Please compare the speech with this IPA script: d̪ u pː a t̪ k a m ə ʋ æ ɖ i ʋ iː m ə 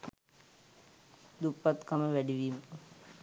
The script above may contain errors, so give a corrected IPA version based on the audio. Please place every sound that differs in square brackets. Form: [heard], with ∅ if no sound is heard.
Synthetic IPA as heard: d̪ u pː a t̪ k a m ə ʋ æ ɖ i ʋ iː m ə

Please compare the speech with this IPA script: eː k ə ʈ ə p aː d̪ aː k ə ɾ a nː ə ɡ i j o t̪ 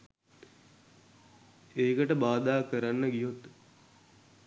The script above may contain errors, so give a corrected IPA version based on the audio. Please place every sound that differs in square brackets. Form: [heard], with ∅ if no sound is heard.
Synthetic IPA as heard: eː k ə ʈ ə [b] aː d̪ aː k ə ɾ a nː ə ɡ i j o t̪

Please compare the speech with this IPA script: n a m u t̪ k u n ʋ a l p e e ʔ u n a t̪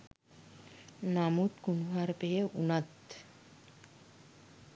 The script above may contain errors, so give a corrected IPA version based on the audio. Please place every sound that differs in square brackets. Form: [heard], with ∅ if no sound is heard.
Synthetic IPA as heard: n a m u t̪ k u n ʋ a [ɾ] p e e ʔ u n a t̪

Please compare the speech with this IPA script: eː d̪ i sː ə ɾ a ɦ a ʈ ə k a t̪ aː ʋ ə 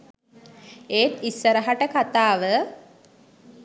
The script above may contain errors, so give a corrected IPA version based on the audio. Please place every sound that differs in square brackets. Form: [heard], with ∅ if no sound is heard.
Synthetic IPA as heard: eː [t̪] i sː ə ɾ [ə] ɦ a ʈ ə k a t̪ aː ʋ ə

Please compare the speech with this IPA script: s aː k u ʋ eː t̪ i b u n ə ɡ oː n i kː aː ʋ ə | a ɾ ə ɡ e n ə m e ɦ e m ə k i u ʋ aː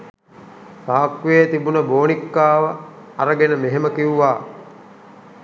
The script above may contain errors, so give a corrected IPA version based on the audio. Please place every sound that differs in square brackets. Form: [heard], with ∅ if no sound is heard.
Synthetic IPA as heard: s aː k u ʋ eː t̪ i b u n ə [b] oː n i kː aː ʋ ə | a ɾ ə ɡ e n ə m e ɦ e m ə k i u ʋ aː

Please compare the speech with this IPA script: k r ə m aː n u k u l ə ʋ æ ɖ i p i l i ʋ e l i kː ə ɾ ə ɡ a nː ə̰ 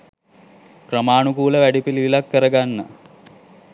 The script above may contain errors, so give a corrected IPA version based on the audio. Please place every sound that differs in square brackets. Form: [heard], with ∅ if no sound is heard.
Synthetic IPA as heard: k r ə m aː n u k [uː] l ə ʋ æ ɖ i p i l i ʋ [i] l [a] kː ə ɾ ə ɡ a nː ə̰

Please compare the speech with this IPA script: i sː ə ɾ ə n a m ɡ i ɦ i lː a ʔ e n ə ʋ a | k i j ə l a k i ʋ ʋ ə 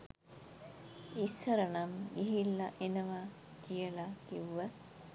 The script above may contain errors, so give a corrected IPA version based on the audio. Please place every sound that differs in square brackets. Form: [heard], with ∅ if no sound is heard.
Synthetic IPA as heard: i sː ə ɾ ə n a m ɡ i ɦ i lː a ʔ e n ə ʋ a | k i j ə l a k i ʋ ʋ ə

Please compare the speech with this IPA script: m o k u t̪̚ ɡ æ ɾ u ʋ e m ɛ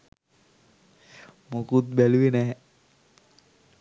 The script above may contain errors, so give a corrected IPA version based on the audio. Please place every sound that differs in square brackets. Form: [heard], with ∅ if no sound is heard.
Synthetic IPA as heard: m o k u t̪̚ [b] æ [l] u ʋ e [n] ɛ

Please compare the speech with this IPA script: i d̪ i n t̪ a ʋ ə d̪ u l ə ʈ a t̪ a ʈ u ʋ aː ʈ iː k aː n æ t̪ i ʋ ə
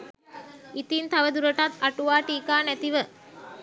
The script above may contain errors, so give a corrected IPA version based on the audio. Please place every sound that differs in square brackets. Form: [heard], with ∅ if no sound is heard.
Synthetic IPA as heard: i [t̪] i n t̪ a ʋ ə d̪ u [ɾ] ə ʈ a t̪ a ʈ u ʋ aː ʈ iː k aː n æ t̪ i ʋ ə

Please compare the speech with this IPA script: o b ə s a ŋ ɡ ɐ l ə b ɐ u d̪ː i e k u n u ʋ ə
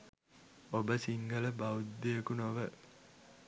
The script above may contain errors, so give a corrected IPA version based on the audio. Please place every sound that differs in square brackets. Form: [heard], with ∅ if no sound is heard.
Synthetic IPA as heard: o b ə s [i] ŋ ɡ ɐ l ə b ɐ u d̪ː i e k u n [o] ʋ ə

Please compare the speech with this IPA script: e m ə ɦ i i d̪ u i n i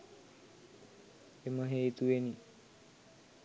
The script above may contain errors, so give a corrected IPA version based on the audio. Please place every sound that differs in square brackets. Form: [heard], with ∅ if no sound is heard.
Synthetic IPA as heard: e m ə ɦ [e] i [t̪] u [e] n i

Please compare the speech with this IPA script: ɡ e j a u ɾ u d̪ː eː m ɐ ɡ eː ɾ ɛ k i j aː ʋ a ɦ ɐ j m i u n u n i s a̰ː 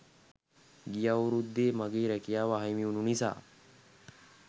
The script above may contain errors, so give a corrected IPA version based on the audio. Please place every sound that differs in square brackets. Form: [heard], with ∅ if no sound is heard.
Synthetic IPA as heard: ɡ [i] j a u ɾ u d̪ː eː m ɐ ɡ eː ɾ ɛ k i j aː ʋ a ɦ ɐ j m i u n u n i s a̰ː

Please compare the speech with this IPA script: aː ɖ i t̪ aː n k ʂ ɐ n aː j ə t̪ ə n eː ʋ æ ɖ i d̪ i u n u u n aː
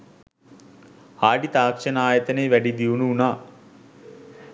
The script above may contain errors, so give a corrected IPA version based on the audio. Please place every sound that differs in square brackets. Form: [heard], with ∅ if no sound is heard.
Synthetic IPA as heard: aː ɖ i t̪ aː [∅] k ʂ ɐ n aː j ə t̪ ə n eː ʋ æ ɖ i d̪ i u n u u n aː

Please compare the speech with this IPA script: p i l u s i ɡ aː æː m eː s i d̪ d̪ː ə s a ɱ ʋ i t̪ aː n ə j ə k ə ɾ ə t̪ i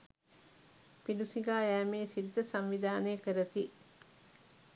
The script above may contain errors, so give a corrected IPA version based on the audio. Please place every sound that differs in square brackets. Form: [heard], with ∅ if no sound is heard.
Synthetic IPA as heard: p i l u s i ɡ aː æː m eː s i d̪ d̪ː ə s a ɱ ʋ i [d̪] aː n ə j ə k ə ɾ ə t̪ i

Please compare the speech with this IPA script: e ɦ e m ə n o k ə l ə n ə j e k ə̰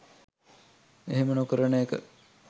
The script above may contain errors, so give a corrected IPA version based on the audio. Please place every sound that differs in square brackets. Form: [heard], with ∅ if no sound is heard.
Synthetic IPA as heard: e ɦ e m ə n o k ə [ɾ] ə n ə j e k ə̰

